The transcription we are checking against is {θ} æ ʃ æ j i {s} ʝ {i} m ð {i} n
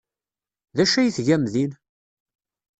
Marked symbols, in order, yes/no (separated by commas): no, no, no, yes